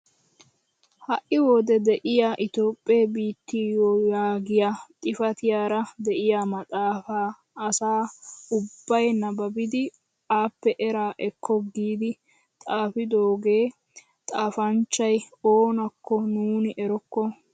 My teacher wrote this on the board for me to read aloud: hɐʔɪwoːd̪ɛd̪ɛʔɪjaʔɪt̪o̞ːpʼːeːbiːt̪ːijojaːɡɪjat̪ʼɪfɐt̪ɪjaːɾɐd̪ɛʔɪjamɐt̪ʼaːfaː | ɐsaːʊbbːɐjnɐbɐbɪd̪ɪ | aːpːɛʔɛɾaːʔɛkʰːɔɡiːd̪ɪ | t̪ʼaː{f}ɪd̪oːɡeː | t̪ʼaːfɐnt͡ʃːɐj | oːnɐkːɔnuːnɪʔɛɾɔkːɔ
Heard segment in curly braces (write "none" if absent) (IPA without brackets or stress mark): f